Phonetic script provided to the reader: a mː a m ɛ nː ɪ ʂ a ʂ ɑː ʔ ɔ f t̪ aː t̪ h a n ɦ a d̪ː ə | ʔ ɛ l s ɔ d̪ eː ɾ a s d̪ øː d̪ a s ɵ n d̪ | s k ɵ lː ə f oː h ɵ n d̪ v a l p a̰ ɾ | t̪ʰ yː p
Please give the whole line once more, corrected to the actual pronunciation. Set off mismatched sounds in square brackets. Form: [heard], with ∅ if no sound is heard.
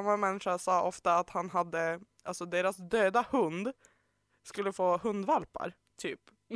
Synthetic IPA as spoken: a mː a m ɛ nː ɪ ʂ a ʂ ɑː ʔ ɔ f t̪ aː t̪ h a n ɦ a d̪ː ə | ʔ [a] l s ɔ d̪ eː ɾ a s d̪ øː d̪ a [h] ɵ n d̪ | s k ɵ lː ə f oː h ɵ n d̪ v a l p a̰ ɾ | t̪ʰ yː p